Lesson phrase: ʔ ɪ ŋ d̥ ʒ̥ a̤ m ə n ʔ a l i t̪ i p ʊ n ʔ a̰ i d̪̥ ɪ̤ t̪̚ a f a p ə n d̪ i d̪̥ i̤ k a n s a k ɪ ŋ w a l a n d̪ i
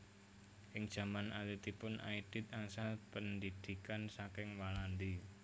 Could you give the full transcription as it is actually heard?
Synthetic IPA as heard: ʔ ɪ ŋ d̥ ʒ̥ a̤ m a n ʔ a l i t̪ i p ʊ n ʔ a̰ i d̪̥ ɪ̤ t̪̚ a s a p ə n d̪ i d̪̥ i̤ k a n s a k ɪ ŋ w a l a n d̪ i